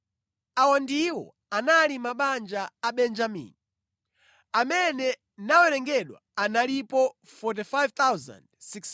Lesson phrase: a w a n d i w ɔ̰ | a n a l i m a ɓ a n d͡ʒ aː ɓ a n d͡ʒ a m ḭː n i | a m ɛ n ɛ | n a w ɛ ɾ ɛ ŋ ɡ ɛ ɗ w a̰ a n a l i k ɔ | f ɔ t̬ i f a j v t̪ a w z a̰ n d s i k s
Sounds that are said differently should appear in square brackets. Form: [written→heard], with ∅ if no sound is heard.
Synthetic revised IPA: a w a n d i w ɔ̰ | a n a l i m a ɓ a n d͡ʒ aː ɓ [a→ɛ] n d͡ʒ a m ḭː n i | a m ɛ n ɛ | n a w ɛ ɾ ɛ ŋ ɡ ɛ ɗ w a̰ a n a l i [k→p] ɔ | f ɔ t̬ i f a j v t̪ a w z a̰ n d s i k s